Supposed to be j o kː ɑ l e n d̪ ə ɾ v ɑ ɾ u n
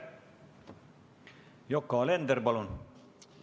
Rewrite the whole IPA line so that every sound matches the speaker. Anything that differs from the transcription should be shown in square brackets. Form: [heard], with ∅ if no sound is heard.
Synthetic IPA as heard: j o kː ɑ l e n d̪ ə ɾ [b] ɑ [l] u n